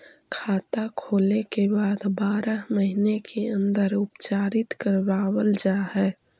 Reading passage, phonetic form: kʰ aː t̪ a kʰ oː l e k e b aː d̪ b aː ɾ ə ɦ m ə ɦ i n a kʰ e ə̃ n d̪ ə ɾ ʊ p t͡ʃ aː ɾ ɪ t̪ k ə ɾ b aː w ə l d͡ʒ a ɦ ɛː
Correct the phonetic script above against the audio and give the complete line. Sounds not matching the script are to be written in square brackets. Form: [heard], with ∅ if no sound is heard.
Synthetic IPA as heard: kʰ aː t̪ a kʰ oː l e k e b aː d̪ b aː ɾ ə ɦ m ə ɦ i n [e] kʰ e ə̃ n d̪ ə ɾ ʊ p t͡ʃ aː ɾ ɪ t̪ k ə ɾ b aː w ə l d͡ʒ a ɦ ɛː